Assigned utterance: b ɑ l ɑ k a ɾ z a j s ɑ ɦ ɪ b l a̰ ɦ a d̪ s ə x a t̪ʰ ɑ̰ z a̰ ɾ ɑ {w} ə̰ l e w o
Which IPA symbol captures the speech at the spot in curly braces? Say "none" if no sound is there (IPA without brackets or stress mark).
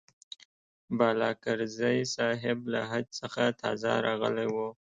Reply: ɣ